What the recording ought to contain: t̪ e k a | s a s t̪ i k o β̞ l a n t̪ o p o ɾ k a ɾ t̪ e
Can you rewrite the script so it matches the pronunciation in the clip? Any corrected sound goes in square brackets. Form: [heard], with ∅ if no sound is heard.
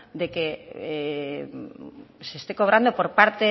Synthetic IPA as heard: [d̪] e k [e] | s [e] s t̪ [e] k o β̞ [ɾ] a n [d̪] o p o ɾ [p] a ɾ t̪ e